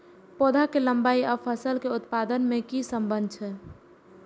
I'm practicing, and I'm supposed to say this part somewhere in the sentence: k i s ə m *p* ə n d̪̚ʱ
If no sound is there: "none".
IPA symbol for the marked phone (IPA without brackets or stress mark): b